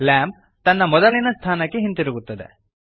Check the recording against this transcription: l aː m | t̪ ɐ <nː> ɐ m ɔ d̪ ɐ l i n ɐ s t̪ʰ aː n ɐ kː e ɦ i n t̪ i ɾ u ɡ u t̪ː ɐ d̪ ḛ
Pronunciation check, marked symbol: correct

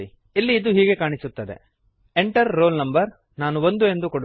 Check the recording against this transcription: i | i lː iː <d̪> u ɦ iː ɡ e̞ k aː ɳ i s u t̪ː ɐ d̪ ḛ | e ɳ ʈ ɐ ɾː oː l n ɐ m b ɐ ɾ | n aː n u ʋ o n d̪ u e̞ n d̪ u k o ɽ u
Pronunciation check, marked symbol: correct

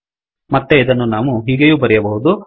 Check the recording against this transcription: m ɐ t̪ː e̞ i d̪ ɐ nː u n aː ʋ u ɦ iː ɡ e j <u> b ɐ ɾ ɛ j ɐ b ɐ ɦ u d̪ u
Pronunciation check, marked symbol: incorrect: uː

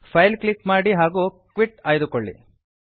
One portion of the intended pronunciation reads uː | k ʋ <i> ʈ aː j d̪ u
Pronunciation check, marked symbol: correct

